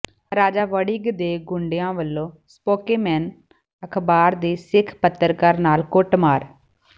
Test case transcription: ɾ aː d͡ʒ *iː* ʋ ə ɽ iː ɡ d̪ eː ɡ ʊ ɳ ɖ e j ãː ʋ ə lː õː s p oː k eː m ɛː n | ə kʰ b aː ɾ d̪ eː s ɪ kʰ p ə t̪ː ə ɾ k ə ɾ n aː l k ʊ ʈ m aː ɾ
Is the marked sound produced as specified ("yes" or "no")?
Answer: no